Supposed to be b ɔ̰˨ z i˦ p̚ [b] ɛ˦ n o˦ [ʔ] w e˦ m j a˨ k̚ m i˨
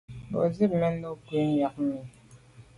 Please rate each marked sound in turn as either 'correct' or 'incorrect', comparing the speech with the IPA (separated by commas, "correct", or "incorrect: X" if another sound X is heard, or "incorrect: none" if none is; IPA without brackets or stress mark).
incorrect: m, incorrect: k